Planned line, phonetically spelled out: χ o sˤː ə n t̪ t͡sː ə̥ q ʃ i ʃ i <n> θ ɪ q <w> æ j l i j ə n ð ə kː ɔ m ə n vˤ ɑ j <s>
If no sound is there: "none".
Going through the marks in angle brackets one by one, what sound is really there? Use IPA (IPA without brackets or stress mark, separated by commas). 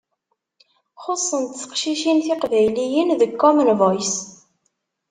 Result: n, v, s